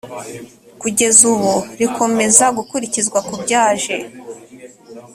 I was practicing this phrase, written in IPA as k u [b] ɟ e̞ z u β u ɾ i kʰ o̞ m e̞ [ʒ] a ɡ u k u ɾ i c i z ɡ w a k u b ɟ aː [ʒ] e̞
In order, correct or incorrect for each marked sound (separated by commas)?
incorrect, incorrect, correct